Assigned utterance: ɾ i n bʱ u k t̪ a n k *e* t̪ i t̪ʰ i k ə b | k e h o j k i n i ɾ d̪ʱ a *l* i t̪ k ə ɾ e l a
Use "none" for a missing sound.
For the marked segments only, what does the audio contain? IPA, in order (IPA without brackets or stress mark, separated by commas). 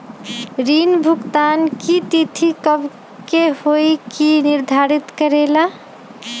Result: i, ɾ